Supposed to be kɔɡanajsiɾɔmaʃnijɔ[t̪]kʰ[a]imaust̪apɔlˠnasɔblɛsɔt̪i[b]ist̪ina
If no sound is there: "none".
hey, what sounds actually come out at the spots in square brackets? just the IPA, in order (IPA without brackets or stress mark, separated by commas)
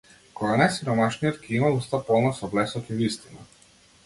t̪, ɛ, v